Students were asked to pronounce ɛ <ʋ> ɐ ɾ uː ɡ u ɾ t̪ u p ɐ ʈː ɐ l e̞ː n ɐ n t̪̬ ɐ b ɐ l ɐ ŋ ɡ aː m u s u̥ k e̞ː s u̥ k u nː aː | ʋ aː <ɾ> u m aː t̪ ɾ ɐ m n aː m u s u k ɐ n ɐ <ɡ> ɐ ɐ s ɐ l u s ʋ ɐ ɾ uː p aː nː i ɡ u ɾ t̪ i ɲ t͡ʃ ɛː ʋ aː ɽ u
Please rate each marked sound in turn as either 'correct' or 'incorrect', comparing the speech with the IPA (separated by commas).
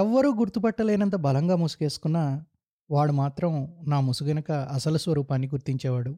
incorrect, incorrect, incorrect